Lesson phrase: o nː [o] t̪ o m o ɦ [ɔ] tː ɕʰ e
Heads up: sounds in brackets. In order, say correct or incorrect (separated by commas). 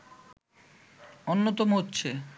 correct, incorrect